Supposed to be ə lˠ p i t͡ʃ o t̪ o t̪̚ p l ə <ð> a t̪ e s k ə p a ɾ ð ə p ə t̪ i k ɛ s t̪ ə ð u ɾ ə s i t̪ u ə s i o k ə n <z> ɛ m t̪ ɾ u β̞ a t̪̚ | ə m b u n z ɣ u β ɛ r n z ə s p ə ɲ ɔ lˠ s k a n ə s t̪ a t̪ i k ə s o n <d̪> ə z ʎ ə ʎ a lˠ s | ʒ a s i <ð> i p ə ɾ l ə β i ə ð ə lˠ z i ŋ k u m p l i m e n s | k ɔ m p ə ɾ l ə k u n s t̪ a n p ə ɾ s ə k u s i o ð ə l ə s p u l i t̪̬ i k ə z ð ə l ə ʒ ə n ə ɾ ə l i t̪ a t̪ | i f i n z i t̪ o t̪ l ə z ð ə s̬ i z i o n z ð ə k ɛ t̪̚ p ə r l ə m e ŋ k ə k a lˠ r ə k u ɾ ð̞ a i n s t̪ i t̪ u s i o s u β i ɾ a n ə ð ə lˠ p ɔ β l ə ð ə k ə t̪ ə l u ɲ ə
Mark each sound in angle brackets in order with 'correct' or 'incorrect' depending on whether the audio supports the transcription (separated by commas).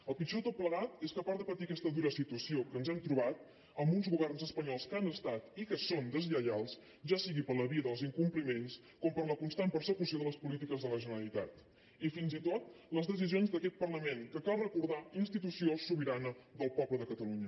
incorrect, correct, correct, incorrect